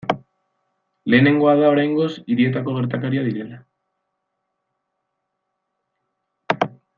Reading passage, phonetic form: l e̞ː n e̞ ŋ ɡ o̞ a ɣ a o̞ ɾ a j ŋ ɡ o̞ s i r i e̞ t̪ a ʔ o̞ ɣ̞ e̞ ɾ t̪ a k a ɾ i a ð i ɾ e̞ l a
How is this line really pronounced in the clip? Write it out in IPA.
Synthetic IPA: l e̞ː n e̞ ŋ ɡ o̞ a ð a o̞ ɾ a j ŋ ɡ o̞ s i ɾ i e̞ t̪ a k o̞ ɣ̞ e̞ ɾ t̪ a k a ɾ i a ð i ɾ e̞ l a